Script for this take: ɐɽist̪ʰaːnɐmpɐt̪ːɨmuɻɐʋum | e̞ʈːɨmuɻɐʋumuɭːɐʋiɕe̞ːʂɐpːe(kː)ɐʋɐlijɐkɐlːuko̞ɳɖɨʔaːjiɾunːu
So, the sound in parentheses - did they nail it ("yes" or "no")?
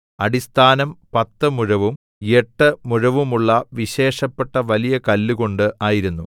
no